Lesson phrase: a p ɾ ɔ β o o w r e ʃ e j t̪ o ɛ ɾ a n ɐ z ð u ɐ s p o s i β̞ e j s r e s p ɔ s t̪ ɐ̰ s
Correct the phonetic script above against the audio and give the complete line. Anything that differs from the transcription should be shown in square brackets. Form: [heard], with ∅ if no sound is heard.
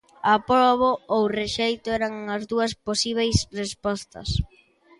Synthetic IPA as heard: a p ɾ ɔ β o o w r e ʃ e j t̪ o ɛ ɾ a [ŋ] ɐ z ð u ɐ s p o s i β̞ e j s r e s p ɔ s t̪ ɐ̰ s